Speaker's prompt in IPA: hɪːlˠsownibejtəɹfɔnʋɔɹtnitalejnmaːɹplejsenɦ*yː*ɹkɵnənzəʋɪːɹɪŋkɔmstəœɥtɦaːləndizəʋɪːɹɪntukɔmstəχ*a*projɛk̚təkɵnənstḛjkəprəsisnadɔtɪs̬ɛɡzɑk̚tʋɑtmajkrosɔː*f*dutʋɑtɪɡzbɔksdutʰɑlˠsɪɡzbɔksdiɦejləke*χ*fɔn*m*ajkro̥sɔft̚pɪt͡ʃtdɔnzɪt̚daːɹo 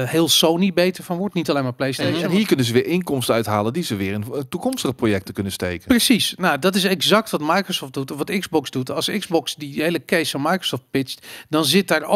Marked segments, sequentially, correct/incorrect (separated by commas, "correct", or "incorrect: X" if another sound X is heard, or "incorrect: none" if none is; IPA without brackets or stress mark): incorrect: iː, incorrect: ə, correct, incorrect: s, correct